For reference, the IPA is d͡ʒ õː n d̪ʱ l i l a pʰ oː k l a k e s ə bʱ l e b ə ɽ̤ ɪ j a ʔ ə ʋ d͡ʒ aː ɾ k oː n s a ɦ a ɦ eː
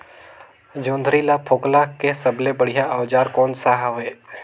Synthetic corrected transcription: d͡ʒ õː n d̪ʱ ɾ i l a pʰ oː k l a k e s ə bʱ l e b ə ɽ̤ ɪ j a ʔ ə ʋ d͡ʒ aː ɾ k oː n s a ɦ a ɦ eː

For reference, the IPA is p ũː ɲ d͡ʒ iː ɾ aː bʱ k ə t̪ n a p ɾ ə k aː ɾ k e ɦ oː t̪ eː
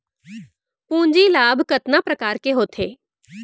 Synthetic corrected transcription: p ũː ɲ d͡ʒ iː l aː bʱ k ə t̪ n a p ɾ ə k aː ɾ k e ɦ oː t̪ʰ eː

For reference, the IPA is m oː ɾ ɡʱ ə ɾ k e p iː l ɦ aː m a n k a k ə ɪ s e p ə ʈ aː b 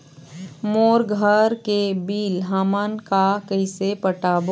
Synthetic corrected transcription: m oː ɾ ɡʱ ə ɾ k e b iː l ɦ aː m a n k a k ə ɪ s e p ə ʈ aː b

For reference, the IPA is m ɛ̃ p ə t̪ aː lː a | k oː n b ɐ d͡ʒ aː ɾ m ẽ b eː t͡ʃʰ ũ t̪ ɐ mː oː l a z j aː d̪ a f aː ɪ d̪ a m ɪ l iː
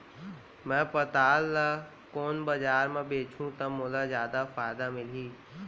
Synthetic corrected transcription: m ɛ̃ p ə t̪ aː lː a | k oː n b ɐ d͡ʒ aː ɾ m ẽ b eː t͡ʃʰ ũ t̪ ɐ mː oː l a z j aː d̪ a f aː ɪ d̪ a m ɪ l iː

